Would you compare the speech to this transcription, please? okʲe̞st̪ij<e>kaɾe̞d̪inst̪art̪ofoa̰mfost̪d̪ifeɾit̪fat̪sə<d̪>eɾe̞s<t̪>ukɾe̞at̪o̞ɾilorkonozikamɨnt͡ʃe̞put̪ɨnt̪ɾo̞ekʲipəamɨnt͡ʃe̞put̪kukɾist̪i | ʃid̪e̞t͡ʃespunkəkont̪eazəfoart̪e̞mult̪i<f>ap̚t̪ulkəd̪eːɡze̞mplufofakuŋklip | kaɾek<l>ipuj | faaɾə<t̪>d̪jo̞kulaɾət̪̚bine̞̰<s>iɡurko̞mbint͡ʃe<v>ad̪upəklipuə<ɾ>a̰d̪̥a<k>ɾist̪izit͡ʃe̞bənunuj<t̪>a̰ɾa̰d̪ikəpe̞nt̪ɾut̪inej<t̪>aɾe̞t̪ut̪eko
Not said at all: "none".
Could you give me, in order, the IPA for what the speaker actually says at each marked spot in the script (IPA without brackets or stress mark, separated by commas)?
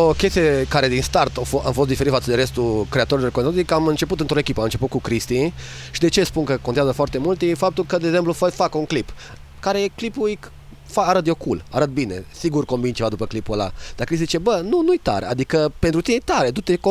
e, d̪, t̪, f, l, t̪, s, v, l, k, t̪, t̪